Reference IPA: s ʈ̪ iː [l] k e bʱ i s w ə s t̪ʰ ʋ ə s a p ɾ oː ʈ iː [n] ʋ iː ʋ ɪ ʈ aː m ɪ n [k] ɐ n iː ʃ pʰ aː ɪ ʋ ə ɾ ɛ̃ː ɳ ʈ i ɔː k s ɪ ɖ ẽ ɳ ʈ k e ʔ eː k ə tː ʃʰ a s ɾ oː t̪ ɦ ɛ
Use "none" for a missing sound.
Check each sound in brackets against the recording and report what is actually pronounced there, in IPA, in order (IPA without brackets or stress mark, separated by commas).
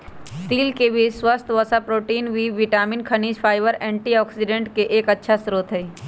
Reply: l, n, kʰ